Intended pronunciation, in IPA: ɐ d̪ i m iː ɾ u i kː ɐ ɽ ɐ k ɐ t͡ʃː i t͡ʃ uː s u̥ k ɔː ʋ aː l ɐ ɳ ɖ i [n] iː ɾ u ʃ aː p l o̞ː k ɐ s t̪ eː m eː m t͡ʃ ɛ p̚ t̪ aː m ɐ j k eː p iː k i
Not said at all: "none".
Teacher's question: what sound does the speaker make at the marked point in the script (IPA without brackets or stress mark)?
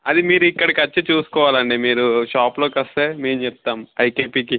m